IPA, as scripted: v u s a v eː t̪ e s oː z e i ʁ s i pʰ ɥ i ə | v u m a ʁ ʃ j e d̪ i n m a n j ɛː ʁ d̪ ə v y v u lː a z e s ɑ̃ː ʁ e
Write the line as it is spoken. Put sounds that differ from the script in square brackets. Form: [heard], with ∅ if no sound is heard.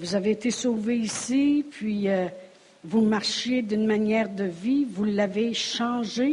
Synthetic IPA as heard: v u [z] a v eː t̪ e s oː [v] e i [∅] s i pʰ ɥ i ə | v u m a ʁ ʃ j e d̪ [y] n m a n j ɛː ʁ d̪ ə v [i] v u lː a [v] e [ʃ] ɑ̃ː [ʒ] e